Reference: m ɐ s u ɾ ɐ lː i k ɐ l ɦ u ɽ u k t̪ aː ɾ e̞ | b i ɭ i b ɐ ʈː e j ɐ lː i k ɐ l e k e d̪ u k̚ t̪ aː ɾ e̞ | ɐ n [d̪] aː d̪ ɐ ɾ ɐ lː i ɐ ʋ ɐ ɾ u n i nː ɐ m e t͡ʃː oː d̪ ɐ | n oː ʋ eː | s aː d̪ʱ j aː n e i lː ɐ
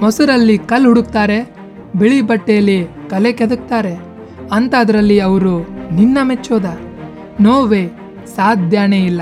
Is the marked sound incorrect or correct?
incorrect